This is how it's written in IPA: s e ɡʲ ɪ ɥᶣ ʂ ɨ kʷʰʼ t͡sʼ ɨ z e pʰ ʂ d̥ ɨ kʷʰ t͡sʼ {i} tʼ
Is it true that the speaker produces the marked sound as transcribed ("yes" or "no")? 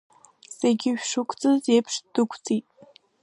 yes